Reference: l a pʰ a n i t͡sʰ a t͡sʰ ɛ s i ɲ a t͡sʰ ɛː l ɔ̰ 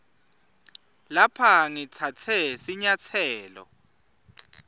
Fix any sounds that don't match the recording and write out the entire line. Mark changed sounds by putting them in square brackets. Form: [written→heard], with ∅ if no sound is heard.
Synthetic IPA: l a pʰ a [n→ŋ] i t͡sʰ a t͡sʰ ɛ s i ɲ a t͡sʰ ɛː l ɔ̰